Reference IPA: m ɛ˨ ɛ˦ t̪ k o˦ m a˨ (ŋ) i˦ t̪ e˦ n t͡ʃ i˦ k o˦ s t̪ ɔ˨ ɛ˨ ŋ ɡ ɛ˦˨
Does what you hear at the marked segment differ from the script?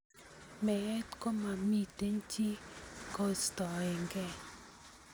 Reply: yes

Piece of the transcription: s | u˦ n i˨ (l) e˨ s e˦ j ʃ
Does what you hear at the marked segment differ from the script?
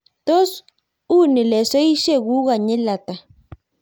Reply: no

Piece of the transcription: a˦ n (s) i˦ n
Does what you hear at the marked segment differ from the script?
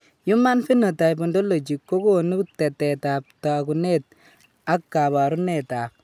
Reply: yes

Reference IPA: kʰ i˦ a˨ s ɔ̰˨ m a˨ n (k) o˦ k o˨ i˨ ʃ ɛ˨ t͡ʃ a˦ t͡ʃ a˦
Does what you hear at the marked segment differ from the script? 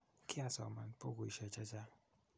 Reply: yes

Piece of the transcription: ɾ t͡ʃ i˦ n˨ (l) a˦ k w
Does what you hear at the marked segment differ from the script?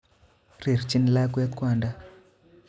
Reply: no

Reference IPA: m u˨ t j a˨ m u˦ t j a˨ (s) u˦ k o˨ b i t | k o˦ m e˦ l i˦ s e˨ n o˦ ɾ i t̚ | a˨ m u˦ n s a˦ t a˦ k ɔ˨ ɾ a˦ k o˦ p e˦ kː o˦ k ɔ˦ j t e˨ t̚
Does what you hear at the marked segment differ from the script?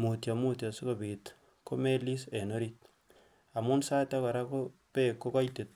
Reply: no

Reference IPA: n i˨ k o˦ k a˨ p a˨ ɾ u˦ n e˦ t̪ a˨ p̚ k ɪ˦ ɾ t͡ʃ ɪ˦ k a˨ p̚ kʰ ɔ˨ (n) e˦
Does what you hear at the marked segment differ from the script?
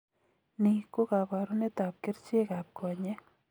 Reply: yes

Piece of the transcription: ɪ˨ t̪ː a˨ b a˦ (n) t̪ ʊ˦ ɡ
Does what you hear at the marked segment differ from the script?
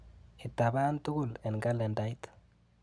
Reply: no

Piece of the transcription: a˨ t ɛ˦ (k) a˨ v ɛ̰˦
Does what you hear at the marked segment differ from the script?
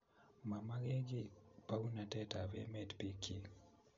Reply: yes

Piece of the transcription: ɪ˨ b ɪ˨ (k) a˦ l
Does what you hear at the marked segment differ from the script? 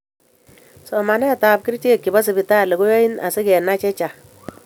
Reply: yes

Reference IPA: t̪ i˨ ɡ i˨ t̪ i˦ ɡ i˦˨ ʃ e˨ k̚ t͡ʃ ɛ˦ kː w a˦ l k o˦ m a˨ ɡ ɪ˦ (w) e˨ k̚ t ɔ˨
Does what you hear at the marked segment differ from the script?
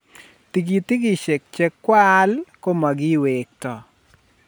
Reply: no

